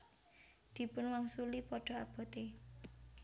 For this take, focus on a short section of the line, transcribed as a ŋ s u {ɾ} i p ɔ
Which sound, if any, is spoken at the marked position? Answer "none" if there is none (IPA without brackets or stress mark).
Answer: l